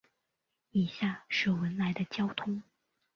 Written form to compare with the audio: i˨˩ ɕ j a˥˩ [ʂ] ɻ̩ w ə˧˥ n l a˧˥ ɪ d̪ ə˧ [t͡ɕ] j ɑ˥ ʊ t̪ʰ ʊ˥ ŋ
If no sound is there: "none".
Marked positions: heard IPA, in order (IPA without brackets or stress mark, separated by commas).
ʂ, t͡ɕ